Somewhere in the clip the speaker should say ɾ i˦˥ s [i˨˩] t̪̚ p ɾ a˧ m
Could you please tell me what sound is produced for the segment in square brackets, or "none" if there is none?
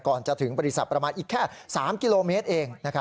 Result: a˨˩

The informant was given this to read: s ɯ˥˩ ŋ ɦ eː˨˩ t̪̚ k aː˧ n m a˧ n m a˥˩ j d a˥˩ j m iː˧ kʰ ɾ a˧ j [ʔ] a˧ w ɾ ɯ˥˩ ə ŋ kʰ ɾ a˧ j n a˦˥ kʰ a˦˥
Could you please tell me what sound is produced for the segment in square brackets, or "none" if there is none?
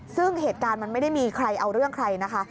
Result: ʔ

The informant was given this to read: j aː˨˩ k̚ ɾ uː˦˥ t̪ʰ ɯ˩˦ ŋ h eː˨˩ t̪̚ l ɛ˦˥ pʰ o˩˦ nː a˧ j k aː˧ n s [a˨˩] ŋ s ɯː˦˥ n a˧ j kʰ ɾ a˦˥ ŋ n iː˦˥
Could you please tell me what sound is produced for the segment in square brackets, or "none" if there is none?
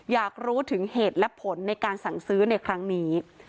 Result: a˨˩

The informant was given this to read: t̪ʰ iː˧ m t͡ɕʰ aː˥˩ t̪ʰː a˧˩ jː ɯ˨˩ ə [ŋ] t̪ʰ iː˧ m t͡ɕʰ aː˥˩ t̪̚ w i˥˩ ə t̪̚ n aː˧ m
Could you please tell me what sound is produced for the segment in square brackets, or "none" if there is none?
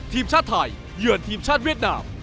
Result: n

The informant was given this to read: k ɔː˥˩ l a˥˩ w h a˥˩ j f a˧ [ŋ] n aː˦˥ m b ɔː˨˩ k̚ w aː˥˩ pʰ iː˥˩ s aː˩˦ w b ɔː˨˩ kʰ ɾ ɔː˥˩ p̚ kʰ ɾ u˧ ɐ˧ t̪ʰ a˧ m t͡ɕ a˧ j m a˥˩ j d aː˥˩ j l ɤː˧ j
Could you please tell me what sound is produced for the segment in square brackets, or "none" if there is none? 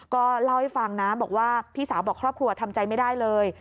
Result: ŋ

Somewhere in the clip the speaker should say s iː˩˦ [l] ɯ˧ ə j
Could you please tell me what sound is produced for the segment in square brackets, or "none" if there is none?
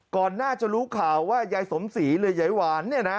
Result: l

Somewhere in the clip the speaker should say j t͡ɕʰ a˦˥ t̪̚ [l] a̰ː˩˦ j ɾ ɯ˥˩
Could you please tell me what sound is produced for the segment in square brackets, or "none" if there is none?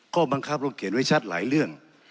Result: l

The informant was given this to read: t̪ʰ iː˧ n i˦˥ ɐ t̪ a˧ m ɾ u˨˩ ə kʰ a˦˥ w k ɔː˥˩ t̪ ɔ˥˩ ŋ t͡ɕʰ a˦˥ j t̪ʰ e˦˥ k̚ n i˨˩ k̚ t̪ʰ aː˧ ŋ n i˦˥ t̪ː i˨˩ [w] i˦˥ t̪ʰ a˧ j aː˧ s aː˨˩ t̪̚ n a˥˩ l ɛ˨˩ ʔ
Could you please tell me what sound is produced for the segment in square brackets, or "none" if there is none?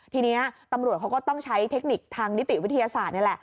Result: w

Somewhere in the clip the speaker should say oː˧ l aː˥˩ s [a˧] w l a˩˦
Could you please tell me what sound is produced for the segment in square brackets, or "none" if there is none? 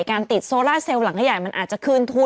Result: e˧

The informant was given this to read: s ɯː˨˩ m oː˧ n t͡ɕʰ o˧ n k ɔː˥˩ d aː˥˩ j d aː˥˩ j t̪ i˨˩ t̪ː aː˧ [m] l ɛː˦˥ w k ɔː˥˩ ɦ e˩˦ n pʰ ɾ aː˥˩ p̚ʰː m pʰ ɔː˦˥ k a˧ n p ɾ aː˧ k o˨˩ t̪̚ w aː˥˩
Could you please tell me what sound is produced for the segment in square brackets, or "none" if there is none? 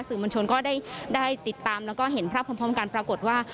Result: m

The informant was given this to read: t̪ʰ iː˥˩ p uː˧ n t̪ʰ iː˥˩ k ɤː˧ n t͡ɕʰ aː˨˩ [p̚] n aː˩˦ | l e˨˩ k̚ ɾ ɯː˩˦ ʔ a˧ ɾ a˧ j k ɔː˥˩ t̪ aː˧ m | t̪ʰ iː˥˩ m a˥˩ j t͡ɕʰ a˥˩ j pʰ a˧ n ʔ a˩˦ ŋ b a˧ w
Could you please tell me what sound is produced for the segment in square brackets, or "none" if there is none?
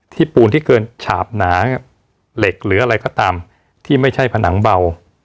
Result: p̚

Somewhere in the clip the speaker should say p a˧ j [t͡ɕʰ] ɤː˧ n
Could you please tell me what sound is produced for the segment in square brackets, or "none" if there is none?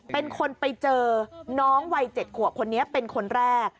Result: t͡ɕ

